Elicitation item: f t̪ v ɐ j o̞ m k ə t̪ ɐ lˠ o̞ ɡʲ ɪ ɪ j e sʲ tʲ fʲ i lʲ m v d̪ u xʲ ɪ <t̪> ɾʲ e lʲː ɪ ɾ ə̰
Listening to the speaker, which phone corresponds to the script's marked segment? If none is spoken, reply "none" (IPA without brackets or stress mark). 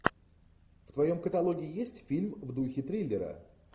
t̪